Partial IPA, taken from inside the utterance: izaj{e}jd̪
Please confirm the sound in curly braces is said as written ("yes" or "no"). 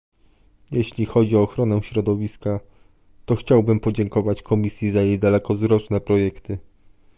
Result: yes